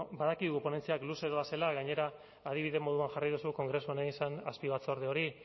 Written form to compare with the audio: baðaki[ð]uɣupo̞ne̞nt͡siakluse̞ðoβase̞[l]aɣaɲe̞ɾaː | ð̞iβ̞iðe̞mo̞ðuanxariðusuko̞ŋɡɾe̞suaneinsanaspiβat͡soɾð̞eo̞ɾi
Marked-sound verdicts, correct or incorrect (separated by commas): correct, correct